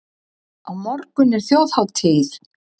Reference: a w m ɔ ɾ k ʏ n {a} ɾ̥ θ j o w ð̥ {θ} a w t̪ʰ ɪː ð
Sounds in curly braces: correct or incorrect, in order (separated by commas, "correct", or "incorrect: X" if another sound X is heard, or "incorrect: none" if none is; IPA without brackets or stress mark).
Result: incorrect: ɛ, incorrect: h